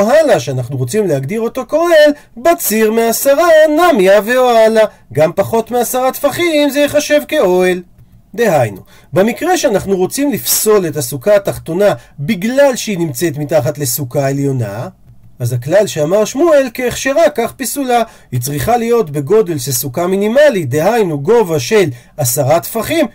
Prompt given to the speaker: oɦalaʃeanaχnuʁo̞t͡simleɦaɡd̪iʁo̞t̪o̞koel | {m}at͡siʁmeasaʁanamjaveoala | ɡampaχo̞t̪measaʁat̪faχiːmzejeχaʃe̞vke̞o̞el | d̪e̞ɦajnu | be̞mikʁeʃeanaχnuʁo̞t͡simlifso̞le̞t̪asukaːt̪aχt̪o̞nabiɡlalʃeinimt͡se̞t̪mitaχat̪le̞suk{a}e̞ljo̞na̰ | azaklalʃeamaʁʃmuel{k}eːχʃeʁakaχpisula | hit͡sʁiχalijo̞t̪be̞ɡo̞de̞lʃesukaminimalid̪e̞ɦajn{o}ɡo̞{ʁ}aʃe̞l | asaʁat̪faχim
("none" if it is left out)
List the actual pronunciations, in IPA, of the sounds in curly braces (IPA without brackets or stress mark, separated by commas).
b, a, k, u, v